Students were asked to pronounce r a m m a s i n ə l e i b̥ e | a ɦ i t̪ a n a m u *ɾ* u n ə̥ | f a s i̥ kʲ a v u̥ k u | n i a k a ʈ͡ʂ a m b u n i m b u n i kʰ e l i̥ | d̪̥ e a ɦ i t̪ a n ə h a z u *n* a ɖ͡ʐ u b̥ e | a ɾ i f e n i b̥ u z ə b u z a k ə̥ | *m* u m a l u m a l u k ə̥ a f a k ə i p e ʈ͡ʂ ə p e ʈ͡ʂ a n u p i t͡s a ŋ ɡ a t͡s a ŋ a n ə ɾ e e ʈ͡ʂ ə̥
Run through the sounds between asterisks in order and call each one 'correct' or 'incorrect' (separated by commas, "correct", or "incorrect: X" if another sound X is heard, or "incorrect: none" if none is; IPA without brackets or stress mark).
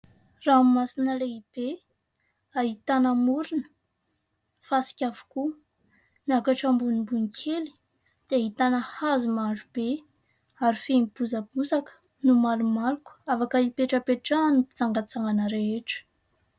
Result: correct, incorrect: m, incorrect: n